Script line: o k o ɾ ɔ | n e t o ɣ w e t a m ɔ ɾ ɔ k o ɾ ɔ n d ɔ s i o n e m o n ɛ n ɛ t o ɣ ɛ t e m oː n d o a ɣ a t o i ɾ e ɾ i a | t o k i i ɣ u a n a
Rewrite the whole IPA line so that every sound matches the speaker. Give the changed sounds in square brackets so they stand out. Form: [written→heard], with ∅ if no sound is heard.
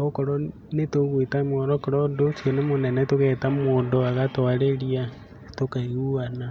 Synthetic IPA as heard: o k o ɾ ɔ | n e t o ɣ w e t a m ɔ ɾ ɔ k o ɾ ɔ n d [ɔ→o] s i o n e m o n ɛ n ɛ t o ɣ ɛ t [e→a] m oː n d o a ɣ a t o [i→a] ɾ e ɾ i a | t o k [i→a] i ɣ u a n a